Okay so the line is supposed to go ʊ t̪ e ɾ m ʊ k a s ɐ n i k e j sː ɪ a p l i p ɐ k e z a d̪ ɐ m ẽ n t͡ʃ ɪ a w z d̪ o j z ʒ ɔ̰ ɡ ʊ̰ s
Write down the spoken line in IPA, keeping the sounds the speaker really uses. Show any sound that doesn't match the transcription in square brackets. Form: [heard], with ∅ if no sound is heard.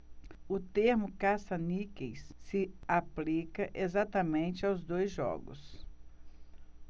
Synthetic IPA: ʊ t̪ e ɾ m ʊ k a s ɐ n i k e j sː ɪ a p l i [k] ɐ [ʔ] e z a [t̪] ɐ m ẽ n t͡ʃ ɪ a w z d̪ o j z ʒ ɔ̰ ɡ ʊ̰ s